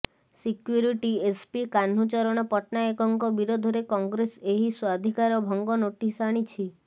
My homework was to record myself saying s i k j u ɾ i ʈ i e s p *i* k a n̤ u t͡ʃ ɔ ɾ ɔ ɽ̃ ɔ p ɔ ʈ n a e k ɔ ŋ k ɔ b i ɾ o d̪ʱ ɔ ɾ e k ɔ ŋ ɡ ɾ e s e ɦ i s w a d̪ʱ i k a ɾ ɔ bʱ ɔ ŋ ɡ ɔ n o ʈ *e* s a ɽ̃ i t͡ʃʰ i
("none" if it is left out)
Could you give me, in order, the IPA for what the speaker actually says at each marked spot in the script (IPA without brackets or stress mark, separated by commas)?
i, i